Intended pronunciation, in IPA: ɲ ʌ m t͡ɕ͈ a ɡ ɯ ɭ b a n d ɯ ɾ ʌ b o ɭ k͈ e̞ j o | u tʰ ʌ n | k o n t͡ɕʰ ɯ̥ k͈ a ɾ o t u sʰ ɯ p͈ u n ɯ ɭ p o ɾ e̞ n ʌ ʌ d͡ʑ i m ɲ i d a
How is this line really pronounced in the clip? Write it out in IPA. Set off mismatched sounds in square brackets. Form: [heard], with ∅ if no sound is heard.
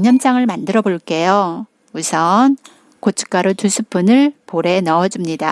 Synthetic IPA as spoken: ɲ ʌ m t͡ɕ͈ a [ŋ] ɯ ɭ [m] a n d ɯ ɾ ʌ b o ɭ k͈ e̞ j o | u [sʰ] ʌ n | k o [∅] t͡ɕʰ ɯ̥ k͈ a ɾ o t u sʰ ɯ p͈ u n ɯ ɭ p o ɾ e̞ n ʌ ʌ d͡ʑ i m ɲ i d a